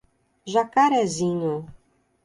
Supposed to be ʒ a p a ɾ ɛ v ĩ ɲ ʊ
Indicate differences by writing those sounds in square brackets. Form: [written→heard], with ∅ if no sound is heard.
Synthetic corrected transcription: ʒ a [p→k] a ɾ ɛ [v→z] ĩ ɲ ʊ

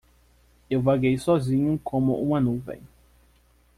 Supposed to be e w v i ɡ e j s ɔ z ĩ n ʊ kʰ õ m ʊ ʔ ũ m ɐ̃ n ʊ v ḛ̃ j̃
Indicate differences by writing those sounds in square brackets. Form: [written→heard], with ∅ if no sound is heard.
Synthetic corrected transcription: e w v [i→a] ɡ e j s ɔ z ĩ [n→ɲ] ʊ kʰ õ m ʊ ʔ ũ m [ɐ̃→ɐ] n [ʊ→u] v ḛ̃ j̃

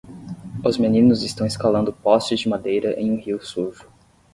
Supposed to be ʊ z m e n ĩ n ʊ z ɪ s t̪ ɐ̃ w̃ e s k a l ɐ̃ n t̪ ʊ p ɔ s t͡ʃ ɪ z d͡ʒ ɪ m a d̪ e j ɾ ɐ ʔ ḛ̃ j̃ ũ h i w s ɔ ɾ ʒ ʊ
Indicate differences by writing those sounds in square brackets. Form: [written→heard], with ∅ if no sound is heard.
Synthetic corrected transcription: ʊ z m e n ĩ n ʊ z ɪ s t̪ ɐ̃ w̃ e s k a l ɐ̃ n [t̪→d̪] ʊ p ɔ s t͡ʃ ɪ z d͡ʒ ɪ m a d̪ e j ɾ ɐ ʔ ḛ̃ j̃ ũ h i w s [ɔ→u] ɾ ʒ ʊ

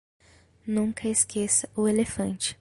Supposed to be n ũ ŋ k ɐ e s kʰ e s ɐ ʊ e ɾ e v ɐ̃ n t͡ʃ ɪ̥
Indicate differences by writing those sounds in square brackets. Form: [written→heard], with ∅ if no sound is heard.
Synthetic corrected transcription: n ũ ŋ k ɐ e s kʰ e s ɐ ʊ e [ɾ→l] e [v→f] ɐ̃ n t͡ʃ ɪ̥

